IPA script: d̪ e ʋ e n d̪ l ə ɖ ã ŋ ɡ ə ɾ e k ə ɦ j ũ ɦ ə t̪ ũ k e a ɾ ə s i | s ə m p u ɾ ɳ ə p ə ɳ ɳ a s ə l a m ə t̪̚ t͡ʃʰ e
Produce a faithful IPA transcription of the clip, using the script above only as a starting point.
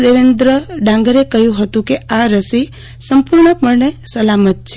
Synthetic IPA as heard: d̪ e ʋ e n d̪ ɾ ə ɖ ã ŋ ɡ ə ɾ e k ə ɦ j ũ ɦ ə t̪ ũ k e a ɾ ə s i | s ə m p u ɾ ɳ ə p ə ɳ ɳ e s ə l a m ə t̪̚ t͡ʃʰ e